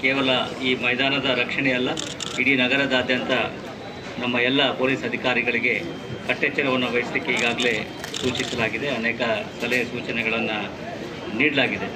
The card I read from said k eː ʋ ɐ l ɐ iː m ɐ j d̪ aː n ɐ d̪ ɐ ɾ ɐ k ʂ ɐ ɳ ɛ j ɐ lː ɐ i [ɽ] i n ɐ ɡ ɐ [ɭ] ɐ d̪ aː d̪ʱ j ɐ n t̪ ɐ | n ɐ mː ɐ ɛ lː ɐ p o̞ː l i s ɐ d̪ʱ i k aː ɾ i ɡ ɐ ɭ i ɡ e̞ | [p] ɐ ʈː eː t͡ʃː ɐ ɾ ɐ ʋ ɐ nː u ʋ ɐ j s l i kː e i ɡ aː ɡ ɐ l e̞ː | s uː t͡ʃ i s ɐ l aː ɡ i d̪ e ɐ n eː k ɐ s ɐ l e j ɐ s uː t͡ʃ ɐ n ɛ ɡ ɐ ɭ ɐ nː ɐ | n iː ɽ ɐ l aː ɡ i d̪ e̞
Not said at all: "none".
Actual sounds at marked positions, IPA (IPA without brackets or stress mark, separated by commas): ɽ, ɾ, k